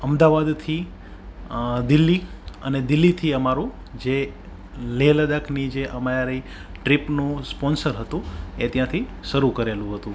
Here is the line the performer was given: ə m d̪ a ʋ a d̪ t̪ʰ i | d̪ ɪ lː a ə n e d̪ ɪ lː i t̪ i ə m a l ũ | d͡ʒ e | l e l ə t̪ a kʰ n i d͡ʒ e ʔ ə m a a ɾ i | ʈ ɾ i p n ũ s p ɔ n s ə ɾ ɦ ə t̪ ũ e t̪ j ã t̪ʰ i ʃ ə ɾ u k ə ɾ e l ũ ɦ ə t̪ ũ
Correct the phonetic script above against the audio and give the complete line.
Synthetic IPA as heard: ə m d̪ a ʋ a d̪ t̪ʰ i | d̪ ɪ lː i ə n e d̪ ɪ lː i t̪ʰ i ə m a ɾ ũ | d͡ʒ e | l e l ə d̪ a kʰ n i d͡ʒ e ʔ ə m a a ɾ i | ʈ ɾ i p n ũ s p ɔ n s ə ɾ ɦ ə t̪ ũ e t̪ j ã t̪ʰ i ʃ ə ɾ u k ə ɾ e l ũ ɦ ə t̪ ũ